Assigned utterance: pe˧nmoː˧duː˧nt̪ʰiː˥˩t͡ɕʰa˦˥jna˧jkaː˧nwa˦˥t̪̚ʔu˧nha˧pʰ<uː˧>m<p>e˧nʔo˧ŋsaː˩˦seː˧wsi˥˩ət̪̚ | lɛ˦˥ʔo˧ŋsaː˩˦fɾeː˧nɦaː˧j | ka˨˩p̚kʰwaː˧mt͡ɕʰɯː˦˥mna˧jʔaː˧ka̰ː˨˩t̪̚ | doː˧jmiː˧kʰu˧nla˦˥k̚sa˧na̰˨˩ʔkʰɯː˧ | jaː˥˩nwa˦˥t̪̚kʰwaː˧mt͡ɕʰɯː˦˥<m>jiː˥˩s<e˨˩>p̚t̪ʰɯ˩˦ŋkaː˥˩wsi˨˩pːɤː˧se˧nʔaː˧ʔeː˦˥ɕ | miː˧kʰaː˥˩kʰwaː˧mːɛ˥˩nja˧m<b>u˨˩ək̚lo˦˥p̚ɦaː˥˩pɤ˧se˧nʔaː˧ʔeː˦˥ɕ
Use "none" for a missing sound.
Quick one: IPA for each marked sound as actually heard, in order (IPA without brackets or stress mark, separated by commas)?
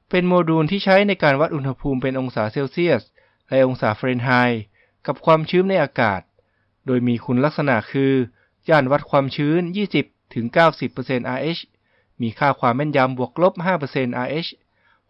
uː˧, p, n, i˨˩, b